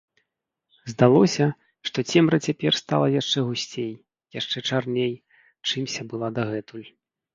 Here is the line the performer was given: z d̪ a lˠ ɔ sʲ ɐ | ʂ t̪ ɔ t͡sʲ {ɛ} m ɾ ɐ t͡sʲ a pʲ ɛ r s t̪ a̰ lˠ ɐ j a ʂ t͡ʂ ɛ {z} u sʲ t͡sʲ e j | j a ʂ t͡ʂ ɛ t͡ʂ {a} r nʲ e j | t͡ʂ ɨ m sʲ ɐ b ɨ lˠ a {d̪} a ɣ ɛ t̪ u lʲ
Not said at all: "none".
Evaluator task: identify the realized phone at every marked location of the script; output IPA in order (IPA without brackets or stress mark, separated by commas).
ɛ, ɣ, a, d̪